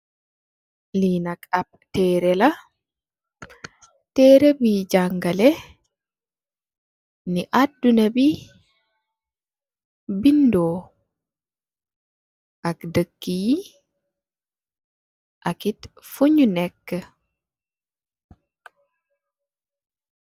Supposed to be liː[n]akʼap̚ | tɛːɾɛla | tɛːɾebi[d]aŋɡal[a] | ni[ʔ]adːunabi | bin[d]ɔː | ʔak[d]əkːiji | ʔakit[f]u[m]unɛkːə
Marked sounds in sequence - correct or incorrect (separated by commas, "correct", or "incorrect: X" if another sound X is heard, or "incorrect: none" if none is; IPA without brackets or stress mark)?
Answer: correct, incorrect: d͡ʒ, incorrect: ɛ, correct, correct, correct, correct, incorrect: ɲ